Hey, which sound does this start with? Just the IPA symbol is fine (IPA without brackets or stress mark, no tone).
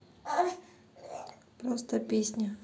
p